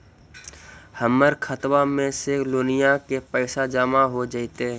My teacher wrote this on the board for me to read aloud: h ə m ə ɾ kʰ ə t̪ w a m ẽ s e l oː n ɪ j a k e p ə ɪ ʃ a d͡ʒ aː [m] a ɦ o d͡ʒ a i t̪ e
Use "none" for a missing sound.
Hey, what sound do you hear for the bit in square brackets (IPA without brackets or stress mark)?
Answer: m